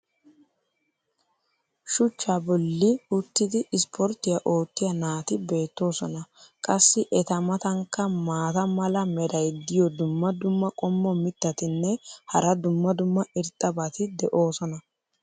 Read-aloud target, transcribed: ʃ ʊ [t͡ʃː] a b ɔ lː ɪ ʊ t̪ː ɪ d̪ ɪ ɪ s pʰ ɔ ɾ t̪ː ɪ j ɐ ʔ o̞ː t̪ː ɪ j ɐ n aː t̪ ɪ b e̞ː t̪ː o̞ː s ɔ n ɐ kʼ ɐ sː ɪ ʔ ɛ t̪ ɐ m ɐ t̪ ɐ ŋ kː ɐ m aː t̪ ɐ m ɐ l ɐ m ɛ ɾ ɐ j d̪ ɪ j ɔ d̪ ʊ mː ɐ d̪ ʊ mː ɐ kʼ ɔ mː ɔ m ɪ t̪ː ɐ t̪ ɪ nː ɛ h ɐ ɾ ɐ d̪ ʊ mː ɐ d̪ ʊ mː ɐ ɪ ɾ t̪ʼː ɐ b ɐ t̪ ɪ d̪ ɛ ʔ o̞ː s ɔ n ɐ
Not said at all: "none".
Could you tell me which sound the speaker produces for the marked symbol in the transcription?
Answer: t͡ʃː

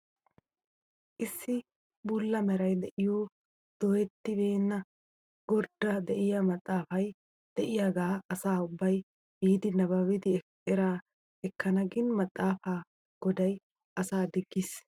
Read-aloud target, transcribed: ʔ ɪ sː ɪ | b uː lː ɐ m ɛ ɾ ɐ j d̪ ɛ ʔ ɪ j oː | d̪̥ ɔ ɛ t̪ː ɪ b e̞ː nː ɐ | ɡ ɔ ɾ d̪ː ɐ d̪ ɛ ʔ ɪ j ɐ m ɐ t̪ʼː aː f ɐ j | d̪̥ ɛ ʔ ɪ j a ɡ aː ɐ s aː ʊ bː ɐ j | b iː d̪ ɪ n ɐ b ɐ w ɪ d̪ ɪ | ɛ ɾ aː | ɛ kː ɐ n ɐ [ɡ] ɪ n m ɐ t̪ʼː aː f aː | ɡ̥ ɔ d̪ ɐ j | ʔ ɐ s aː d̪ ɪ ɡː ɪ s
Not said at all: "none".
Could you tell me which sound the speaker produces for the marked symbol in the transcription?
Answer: ɡ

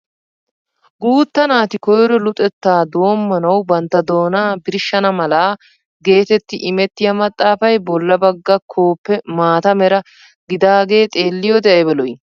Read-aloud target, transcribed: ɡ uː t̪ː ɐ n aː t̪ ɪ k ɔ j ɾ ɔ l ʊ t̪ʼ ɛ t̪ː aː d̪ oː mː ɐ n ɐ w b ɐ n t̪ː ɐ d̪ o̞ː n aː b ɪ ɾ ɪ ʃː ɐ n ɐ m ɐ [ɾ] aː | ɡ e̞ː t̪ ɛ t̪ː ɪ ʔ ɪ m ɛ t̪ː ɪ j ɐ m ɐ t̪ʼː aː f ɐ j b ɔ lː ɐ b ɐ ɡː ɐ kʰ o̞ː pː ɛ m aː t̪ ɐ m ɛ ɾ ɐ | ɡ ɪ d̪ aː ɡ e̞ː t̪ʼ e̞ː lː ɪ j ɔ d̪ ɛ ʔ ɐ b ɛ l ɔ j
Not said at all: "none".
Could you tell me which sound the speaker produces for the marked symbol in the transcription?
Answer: l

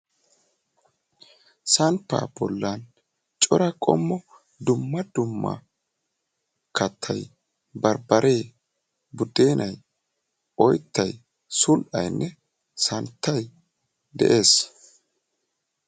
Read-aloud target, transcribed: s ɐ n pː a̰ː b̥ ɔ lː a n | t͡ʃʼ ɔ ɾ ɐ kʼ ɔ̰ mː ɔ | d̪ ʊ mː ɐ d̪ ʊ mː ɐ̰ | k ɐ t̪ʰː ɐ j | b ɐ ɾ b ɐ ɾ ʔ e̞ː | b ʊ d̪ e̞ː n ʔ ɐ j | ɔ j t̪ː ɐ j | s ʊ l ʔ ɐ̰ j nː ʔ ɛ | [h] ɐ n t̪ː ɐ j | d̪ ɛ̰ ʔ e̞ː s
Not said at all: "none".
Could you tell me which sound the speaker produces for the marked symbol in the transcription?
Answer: s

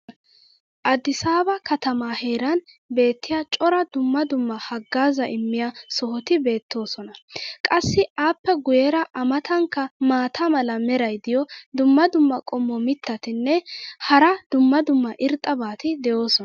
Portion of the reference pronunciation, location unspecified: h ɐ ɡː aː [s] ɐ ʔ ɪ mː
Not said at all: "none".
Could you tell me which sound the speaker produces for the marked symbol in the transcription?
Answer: z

